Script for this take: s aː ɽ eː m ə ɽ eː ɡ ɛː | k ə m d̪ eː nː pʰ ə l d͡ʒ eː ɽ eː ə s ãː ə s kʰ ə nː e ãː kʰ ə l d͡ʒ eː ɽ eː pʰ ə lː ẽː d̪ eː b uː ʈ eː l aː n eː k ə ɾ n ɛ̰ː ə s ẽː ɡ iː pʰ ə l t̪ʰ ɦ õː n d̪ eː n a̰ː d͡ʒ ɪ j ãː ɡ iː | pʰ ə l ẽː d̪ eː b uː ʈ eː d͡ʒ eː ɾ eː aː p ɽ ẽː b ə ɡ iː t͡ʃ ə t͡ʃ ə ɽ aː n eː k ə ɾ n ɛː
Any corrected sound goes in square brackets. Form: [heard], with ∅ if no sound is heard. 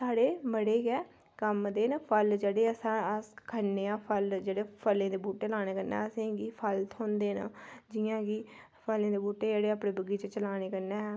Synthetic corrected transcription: s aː ɽ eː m ə ɽ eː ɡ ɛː | k ə m d̪ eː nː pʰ ə l d͡ʒ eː ɽ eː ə s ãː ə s kʰ ə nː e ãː [pʰ] ə l d͡ʒ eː ɽ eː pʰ ə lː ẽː d̪ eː b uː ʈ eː l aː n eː k ə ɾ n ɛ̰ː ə s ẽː ɡ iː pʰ ə l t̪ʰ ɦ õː n d̪ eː n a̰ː d͡ʒ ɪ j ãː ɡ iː | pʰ ə l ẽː d̪ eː b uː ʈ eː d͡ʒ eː [ɽ] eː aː p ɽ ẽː b ə ɡ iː t͡ʃ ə t͡ʃ ə [l] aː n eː k ə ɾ n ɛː

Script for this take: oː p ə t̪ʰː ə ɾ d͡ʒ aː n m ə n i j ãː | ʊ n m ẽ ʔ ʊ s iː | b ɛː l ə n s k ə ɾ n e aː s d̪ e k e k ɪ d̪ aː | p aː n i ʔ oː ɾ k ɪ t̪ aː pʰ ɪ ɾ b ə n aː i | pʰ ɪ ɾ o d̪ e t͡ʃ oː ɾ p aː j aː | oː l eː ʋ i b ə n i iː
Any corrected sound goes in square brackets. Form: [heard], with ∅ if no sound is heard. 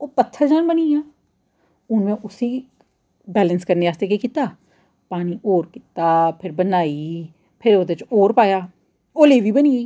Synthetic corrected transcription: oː p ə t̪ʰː ə ɾ d͡ʒ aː n [b] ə n i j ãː | ʊ n m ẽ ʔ ʊ s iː | b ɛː l ə n s k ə ɾ n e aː s [t̪] e k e k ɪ [t̪] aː | p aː n i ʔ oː ɾ k ɪ t̪ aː pʰ ɪ ɾ b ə n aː i | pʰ ɪ ɾ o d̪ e t͡ʃ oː ɾ p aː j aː | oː l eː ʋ i b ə n i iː

